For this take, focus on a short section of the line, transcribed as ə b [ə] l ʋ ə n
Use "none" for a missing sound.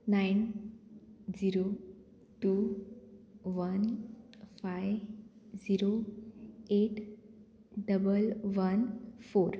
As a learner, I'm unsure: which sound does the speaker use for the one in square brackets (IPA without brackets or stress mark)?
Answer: ə